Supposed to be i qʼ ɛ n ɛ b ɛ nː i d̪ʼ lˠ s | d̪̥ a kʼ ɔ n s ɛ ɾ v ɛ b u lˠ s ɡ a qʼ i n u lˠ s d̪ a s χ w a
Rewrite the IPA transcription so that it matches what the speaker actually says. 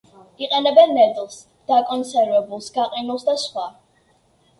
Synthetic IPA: i qʼ ɛ n ɛ b ɛ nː ɛ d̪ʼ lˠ s | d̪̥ a kʼ ɔ n s ɛ ɾ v ɛ b u lˠ s ɡ a qʼ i n u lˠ s d̪ a s χ w a

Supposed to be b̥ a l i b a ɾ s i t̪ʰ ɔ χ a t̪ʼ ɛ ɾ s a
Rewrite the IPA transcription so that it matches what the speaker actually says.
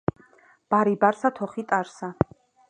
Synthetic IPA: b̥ a ɾ i b a ɾ s a t̪ʰ ɔ χ i t̪ʼ a ɾ s a

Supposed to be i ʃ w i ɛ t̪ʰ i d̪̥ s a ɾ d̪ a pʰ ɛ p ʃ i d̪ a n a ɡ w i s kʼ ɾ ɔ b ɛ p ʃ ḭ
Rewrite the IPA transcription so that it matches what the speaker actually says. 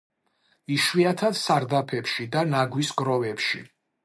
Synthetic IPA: i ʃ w i a t̪ʰ a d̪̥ s a ɾ d̪ a pʰ ɛ p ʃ i d̪ a n a ɡ w i s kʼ ɾ ɔ v ɛ p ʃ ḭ

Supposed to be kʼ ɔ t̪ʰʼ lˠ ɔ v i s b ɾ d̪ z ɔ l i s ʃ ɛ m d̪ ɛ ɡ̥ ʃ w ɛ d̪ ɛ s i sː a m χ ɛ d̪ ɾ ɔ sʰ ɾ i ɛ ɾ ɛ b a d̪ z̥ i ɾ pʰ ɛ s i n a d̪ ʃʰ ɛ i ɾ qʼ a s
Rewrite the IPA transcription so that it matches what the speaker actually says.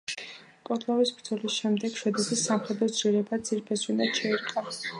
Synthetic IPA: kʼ ɔ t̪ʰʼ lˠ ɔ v i s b ɾ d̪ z ɔ l i s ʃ ɛ m d̪ ɛ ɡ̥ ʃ w ɛ d̪ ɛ s i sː a m χ ɛ d̪ ɾ ɔ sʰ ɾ i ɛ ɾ ɛ b a d̪ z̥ i ɾ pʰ ɛ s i n a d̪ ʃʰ ɛ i ɾ qʼ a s

